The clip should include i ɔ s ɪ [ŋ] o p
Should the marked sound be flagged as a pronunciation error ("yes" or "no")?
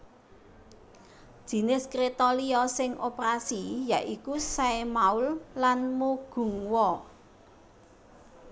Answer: no